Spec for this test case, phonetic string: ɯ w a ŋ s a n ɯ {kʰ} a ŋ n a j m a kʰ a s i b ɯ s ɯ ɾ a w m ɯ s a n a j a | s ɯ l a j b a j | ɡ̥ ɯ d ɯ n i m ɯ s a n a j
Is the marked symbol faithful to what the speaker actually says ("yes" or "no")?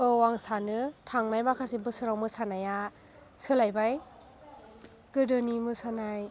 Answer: no